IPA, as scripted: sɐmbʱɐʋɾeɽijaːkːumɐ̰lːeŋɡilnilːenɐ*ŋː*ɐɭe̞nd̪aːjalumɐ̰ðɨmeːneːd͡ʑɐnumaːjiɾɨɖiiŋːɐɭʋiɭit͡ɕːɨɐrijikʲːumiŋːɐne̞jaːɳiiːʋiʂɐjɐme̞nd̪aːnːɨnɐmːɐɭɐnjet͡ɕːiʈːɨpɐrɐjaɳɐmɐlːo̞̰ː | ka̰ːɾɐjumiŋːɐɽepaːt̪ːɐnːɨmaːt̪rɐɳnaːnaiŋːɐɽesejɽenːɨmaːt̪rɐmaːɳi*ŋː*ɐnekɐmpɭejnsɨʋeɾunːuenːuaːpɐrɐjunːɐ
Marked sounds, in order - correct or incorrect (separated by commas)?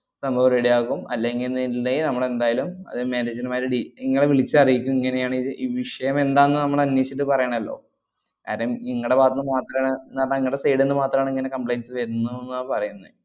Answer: incorrect, correct